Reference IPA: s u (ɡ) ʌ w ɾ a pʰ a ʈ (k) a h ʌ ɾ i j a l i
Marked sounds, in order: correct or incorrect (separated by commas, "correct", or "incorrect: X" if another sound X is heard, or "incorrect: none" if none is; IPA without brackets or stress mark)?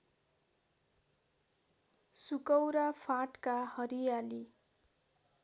incorrect: k, correct